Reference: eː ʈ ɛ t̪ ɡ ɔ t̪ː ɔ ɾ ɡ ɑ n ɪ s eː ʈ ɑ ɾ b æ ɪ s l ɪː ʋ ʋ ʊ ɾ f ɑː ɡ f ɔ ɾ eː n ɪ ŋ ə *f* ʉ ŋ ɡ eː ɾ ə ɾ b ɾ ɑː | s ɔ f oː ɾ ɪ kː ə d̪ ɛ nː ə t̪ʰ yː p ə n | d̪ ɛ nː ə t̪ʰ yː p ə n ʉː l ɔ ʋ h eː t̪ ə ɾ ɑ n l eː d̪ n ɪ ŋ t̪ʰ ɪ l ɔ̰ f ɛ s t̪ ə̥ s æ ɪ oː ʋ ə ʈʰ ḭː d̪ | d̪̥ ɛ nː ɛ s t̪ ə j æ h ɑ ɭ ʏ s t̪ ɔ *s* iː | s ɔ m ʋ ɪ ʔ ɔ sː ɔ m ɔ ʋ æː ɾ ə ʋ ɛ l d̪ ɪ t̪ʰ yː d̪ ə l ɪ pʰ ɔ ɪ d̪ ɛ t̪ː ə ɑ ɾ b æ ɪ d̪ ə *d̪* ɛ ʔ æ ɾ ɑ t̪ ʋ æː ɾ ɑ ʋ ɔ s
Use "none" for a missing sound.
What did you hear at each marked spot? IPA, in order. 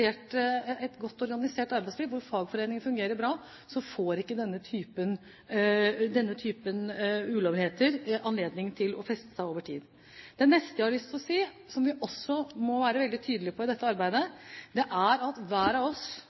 f, s, d̪

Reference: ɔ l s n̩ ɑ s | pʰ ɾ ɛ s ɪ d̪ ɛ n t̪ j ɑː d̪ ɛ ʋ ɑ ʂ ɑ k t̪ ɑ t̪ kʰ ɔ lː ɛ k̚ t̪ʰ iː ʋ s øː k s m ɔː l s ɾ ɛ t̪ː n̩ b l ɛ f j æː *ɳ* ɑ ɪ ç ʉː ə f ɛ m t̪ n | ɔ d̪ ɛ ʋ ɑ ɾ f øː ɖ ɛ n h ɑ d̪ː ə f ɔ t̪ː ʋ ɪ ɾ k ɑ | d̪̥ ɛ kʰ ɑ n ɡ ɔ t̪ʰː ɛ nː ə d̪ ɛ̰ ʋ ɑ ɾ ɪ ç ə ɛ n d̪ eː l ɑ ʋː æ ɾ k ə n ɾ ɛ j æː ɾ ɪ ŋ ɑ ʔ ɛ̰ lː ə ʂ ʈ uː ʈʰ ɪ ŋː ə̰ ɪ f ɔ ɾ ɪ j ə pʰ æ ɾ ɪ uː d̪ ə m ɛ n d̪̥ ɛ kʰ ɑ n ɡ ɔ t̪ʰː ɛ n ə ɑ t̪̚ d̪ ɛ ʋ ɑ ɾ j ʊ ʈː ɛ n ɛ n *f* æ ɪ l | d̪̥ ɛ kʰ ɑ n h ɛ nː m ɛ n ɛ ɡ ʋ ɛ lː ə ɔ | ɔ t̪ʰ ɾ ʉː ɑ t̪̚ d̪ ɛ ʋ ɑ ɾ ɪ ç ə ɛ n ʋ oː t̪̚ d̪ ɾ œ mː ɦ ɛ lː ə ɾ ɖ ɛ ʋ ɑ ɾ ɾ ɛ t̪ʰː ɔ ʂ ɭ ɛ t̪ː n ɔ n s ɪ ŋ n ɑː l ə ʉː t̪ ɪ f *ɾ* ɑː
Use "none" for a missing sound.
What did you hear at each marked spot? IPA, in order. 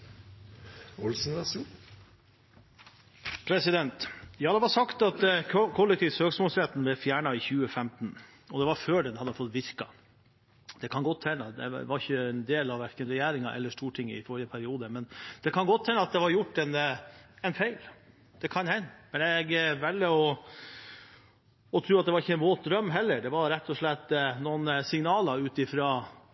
ɳ, f, ɾ

